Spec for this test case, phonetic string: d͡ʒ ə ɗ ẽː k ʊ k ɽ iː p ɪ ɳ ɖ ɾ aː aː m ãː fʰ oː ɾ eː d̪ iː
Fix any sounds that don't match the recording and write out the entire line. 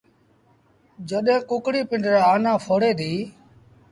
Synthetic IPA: d͡ʒ ə ɗ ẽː k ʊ k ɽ iː p ɪ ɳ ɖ ɾ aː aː n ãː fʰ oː ɽ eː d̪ iː